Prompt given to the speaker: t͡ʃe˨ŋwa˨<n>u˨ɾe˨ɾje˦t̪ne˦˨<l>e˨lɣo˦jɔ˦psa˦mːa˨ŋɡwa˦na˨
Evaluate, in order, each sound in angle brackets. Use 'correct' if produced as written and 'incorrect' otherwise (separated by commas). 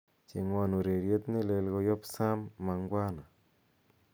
correct, correct